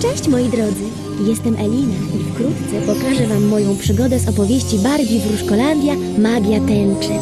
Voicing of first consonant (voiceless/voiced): voiceless